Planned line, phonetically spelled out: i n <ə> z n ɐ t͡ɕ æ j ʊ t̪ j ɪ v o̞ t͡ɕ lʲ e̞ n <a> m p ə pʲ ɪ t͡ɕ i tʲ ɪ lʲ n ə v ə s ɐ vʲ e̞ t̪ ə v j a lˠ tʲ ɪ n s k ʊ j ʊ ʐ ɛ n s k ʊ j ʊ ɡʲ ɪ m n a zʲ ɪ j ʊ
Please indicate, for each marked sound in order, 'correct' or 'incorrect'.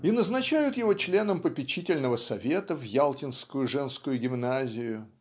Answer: correct, incorrect: ə

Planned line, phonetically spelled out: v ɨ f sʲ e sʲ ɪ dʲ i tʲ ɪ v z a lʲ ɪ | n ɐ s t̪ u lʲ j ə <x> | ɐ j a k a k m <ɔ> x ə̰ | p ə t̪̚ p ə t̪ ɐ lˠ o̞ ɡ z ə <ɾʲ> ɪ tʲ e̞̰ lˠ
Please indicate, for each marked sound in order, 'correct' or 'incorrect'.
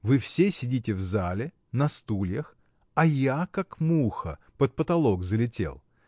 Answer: correct, incorrect: u, incorrect: lʲ

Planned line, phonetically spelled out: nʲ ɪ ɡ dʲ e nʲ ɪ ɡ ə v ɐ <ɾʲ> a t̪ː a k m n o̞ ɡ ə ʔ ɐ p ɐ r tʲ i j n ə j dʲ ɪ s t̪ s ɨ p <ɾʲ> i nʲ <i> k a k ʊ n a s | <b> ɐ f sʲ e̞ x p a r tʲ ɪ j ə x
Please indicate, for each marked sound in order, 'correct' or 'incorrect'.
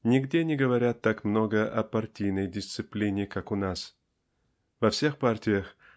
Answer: correct, incorrect: lʲ, incorrect: ɪ, incorrect: v

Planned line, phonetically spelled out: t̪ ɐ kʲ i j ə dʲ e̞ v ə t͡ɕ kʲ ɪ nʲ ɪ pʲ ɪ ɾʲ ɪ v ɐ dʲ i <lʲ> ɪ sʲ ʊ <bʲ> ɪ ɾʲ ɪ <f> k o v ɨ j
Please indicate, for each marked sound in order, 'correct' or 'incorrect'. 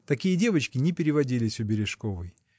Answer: correct, correct, incorrect: ʂ

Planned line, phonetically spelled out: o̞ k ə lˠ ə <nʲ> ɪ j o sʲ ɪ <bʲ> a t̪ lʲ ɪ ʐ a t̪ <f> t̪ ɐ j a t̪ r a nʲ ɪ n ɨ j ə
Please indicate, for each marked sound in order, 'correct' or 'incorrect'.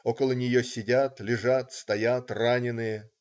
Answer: correct, incorrect: dʲ, incorrect: s

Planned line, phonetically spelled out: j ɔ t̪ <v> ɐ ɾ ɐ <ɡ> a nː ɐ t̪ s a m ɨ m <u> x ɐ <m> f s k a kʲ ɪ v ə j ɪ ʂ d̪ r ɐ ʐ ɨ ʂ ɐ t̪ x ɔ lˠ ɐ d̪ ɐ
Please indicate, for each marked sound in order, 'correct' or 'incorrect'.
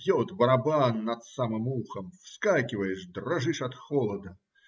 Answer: incorrect: b, incorrect: b, correct, correct

